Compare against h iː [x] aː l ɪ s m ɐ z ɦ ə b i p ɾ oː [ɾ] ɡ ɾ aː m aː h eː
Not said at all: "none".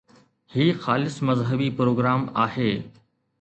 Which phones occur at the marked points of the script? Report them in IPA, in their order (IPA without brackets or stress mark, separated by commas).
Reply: x, none